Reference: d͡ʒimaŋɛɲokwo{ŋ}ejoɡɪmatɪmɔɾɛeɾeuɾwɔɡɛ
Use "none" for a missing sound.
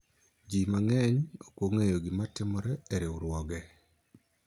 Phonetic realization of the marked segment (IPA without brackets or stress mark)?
ŋ